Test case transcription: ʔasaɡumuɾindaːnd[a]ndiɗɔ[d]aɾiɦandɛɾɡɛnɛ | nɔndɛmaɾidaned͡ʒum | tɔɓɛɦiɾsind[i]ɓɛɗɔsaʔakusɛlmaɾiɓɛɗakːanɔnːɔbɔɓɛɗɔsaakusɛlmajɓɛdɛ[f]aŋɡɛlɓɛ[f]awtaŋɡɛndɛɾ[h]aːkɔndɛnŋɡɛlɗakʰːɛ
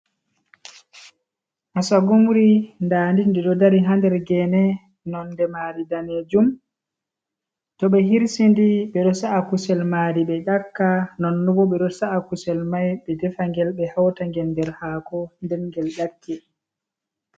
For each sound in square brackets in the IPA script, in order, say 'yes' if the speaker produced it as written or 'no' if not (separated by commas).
no, yes, yes, yes, no, yes